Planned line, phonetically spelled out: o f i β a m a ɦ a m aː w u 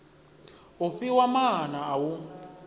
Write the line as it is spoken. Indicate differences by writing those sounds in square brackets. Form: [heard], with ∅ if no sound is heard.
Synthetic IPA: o f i [w] a m a ɦ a [n] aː w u